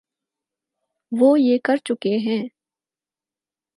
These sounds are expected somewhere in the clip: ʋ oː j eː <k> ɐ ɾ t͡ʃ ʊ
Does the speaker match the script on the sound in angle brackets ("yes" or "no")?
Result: yes